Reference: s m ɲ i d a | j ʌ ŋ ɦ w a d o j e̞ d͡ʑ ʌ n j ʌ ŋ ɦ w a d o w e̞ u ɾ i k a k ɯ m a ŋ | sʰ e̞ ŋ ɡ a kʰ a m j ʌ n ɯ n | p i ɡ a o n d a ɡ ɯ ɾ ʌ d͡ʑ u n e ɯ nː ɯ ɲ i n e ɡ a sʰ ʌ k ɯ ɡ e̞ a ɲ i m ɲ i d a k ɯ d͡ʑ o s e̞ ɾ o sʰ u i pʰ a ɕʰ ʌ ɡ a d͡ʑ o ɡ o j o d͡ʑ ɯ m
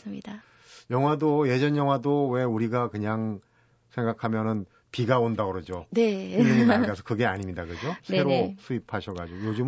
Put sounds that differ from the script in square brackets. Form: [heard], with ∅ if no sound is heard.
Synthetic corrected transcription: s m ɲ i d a | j ʌ ŋ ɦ w a d o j e̞ d͡ʑ ʌ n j ʌ ŋ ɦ w a d o w e̞ u ɾ i [ɡ] a k ɯ [ɲ] a ŋ | sʰ e̞ ŋ ɡ a kʰ a m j ʌ n ɯ n | p i ɡ a o n d a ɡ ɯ ɾ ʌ d͡ʑ [o] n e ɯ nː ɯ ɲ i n [a] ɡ a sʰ ʌ k ɯ ɡ e̞ a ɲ i m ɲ i d a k ɯ d͡ʑ o s e̞ ɾ o sʰ u i pʰ a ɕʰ ʌ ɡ a d͡ʑ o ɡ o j o d͡ʑ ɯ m